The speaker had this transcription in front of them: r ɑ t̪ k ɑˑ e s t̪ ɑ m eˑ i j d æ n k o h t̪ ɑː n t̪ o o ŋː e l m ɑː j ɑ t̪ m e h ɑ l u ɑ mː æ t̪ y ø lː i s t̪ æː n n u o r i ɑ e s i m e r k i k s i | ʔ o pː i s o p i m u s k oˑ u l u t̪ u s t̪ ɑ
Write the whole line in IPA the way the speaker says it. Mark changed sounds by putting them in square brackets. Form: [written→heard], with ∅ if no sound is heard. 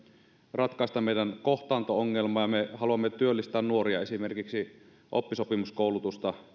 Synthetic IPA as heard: r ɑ t̪ k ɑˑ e s t̪ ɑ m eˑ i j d æ n k o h t̪ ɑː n t̪ o o ŋː e l m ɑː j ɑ [t̪→∅] m e h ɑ l u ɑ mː [æ→e] t̪ y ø lː i s t̪ æː n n u o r i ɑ e s i m e r k i k s i | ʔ o pː i s o p i m u s k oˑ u l u t̪ u s t̪ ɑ